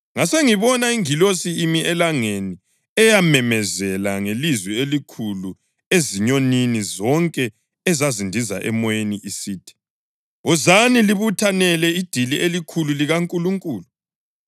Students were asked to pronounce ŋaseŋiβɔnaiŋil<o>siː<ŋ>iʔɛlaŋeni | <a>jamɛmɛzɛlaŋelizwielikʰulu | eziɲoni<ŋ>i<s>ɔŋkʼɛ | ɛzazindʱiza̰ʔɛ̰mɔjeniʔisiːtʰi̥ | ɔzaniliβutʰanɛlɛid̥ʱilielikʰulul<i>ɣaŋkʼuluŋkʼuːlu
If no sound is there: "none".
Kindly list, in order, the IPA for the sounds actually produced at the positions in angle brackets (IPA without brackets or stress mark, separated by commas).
o, m, ɛ, n, z, i